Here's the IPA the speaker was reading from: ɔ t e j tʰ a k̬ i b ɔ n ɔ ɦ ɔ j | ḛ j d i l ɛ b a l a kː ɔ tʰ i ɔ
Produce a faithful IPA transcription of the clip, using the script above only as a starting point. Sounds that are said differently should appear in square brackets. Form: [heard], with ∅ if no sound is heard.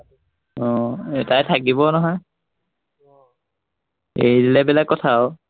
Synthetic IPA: ɔ t [a] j tʰ a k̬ i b ɔ n ɔ ɦ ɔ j | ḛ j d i l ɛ b [ɛ] l a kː ɔ tʰ [a] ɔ